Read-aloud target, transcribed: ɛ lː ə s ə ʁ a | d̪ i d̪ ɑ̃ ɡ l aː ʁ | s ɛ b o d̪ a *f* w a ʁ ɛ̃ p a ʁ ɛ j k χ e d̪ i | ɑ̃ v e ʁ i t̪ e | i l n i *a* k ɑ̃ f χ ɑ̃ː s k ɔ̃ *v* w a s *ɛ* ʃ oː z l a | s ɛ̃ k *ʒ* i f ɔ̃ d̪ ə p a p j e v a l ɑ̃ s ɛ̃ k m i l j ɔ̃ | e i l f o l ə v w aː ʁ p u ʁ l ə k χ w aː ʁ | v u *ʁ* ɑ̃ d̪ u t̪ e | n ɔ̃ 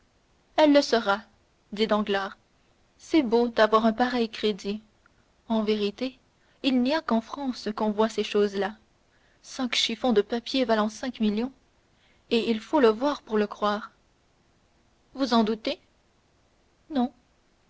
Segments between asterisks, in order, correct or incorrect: incorrect: v, correct, correct, incorrect: e, incorrect: ʃ, incorrect: z

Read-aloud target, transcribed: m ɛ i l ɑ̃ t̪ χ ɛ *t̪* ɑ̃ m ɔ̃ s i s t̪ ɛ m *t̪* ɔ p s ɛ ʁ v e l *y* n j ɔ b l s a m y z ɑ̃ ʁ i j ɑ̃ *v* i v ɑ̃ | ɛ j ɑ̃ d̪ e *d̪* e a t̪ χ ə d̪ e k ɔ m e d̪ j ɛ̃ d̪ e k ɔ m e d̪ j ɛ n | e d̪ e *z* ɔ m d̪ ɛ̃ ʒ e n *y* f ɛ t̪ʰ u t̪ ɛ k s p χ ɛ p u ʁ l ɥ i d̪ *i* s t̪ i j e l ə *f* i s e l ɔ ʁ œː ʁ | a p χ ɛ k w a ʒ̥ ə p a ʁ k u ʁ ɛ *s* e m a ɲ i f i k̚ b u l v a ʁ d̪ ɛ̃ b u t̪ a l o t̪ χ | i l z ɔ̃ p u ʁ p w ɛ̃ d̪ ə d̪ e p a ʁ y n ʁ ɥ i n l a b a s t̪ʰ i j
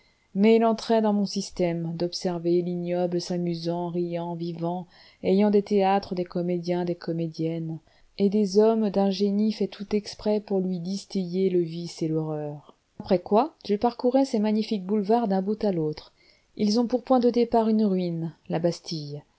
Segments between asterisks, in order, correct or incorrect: incorrect: d̪, incorrect: d̪, incorrect: i, correct, incorrect: t̪, correct, incorrect: i, correct, incorrect: v, correct

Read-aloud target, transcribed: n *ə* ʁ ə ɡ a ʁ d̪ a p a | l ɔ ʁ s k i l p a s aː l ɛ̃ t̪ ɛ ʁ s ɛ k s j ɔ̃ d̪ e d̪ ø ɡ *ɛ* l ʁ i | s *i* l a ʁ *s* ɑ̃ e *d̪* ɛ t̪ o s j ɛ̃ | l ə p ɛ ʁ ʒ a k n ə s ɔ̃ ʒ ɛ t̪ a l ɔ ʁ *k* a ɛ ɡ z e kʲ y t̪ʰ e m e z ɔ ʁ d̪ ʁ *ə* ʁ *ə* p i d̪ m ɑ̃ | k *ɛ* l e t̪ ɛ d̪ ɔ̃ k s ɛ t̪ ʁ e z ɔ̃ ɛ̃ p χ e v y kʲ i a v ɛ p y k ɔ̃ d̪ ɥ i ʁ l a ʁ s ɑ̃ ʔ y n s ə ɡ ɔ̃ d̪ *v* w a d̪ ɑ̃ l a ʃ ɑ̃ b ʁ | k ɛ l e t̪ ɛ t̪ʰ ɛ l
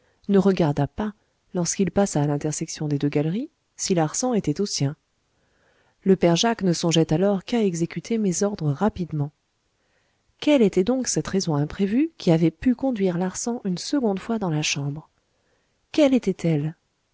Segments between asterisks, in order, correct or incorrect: correct, incorrect: a, correct, correct, incorrect: t̪, correct, correct, incorrect: a, correct, incorrect: f

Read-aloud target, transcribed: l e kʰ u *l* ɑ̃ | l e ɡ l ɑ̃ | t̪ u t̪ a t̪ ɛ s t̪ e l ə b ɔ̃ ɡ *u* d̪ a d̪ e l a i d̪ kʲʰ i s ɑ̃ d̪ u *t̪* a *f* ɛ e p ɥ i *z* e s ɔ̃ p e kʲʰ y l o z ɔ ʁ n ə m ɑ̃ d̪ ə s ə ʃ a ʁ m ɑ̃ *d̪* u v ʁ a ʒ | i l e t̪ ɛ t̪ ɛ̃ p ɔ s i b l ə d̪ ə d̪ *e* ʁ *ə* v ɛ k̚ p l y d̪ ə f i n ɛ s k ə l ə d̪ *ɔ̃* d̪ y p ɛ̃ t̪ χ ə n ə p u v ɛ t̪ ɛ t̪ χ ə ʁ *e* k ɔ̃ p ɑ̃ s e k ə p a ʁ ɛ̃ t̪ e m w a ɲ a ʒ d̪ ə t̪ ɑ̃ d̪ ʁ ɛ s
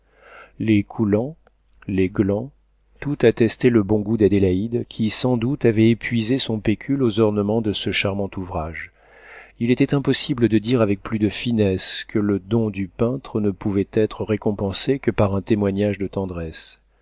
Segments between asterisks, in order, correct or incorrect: correct, correct, correct, incorrect: v, correct, incorrect: t̪, incorrect: i, incorrect: a, correct, correct

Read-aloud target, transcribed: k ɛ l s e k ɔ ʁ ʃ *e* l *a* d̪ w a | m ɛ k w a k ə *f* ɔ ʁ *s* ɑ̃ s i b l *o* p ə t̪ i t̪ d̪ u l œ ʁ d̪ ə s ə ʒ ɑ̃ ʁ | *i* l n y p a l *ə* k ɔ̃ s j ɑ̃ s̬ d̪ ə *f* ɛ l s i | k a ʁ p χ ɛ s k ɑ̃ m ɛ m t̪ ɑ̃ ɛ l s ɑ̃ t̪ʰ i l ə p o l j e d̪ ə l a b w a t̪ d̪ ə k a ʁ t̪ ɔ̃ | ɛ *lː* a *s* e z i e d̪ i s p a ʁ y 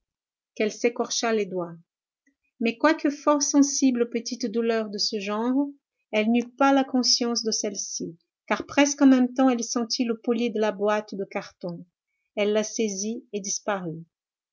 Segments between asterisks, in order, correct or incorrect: incorrect: a, incorrect: e, correct, correct, correct, incorrect: ɛ, incorrect: a, incorrect: s, correct, correct

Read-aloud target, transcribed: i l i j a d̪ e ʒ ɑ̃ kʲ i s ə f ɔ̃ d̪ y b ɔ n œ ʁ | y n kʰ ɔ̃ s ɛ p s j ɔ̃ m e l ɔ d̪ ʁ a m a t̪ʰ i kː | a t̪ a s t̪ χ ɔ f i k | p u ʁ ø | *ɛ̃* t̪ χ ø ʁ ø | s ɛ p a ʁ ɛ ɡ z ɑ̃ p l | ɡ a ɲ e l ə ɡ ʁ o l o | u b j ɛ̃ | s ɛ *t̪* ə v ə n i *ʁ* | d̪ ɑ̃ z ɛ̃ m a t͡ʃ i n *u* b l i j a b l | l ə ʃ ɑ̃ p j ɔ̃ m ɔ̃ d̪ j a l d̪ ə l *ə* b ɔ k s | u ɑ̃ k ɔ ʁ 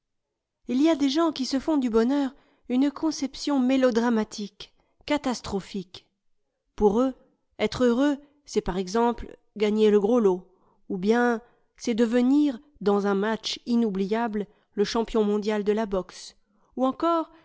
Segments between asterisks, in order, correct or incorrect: incorrect: ɛ, incorrect: d̪, correct, correct, incorrect: a

